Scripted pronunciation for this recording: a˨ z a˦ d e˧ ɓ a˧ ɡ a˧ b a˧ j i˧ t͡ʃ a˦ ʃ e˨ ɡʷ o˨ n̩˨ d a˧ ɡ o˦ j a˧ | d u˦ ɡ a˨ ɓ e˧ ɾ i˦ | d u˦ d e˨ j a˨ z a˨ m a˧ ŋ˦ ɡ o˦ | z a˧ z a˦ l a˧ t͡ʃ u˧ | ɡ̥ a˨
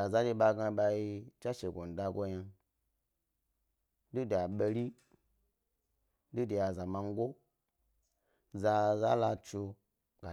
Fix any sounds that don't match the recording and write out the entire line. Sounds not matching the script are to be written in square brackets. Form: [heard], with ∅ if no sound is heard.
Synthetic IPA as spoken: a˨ z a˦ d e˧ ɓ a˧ ɡ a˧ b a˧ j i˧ t͡ʃ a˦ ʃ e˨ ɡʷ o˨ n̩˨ d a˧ ɡ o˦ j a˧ | d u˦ [d] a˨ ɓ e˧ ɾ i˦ | d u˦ d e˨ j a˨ z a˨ m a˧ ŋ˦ ɡ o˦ | z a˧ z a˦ l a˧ t͡ʃ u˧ | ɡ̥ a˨